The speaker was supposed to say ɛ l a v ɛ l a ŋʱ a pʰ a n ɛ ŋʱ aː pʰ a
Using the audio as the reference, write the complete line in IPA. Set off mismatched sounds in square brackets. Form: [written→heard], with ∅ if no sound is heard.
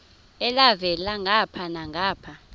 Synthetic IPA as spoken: ɛ l a v ɛ l a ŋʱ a pʰ a n [ɛ→a] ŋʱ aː pʰ a